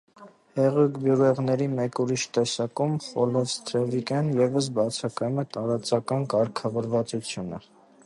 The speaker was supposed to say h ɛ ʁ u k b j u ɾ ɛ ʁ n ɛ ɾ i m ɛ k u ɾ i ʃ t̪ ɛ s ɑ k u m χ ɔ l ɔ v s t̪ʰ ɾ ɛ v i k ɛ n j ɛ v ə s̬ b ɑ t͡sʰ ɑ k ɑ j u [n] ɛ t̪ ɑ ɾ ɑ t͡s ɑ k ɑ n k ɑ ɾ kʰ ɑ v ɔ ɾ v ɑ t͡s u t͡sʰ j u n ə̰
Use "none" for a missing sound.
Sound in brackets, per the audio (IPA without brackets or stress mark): m